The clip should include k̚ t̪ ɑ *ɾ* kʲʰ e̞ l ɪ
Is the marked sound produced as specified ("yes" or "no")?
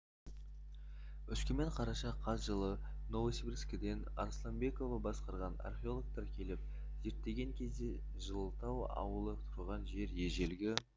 yes